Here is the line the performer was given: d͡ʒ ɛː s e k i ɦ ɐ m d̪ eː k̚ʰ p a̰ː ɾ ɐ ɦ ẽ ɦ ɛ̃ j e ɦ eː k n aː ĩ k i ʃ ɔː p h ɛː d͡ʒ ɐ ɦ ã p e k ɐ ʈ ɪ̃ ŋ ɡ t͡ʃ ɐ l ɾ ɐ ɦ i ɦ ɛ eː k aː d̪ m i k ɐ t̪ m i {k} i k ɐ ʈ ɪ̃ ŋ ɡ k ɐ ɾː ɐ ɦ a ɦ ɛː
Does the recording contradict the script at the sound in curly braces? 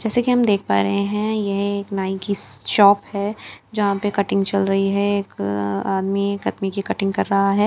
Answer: no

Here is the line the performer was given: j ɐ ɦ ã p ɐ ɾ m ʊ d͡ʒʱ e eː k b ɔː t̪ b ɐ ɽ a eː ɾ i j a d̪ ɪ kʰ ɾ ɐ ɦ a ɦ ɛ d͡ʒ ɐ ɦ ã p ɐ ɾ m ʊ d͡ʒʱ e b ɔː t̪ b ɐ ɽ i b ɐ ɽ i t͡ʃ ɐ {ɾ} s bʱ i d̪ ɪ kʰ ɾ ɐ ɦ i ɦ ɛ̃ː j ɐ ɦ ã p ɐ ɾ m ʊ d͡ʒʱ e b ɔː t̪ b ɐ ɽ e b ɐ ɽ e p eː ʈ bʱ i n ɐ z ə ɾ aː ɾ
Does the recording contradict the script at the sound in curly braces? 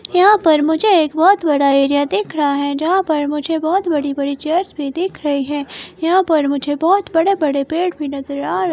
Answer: no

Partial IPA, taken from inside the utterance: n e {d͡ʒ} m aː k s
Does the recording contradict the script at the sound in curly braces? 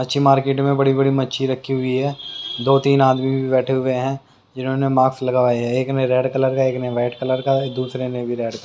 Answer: yes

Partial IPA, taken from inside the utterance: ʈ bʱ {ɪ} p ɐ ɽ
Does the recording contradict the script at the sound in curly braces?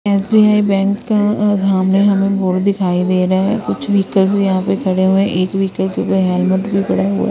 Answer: yes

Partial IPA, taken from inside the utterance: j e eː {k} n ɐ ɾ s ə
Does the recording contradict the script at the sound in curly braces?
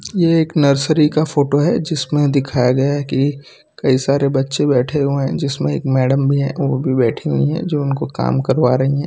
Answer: no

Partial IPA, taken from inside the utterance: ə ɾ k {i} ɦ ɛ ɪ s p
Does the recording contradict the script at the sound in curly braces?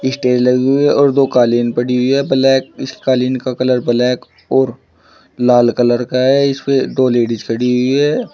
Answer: yes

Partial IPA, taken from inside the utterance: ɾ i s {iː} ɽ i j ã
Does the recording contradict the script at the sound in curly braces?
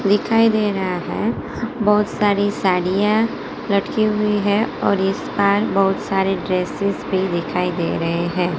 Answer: yes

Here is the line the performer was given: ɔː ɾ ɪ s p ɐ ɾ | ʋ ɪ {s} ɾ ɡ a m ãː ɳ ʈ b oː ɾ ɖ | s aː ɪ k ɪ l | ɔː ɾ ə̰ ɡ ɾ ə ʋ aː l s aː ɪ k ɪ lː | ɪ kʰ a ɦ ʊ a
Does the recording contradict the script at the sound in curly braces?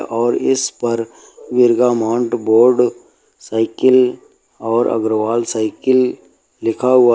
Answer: yes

